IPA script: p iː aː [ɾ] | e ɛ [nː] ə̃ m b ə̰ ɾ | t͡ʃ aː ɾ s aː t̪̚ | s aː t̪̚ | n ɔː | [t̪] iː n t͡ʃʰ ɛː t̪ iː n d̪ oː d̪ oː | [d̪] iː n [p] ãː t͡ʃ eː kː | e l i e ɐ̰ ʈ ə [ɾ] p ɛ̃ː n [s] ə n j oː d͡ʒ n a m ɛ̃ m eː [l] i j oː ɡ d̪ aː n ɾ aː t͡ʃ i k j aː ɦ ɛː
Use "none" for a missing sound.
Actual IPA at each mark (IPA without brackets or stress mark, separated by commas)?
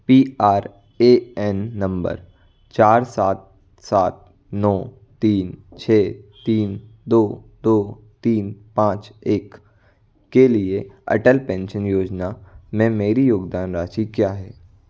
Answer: ɾ, nː, t̪, t̪, p, l, ʃ, ɾ